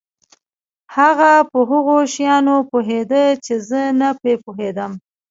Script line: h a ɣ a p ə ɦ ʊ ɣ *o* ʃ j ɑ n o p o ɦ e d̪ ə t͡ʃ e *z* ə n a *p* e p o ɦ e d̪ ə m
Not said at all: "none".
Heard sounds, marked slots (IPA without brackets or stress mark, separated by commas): o, z, p